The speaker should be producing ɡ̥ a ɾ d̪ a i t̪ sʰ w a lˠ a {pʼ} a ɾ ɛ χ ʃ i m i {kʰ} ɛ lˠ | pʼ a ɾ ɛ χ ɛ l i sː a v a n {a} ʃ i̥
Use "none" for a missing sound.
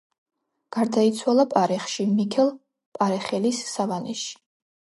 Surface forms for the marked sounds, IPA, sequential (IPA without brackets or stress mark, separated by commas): pʼ, kʰ, ɛ